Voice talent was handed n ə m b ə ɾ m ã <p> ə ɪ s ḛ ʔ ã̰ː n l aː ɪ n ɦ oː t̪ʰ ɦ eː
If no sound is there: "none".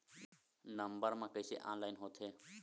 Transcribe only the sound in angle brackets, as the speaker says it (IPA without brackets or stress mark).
k